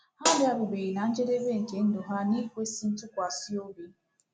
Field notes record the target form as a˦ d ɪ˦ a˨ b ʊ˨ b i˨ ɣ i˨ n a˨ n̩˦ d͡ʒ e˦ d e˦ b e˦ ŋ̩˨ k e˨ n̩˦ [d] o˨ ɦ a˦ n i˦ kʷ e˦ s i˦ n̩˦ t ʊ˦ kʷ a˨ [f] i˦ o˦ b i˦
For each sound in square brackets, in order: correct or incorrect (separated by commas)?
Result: correct, incorrect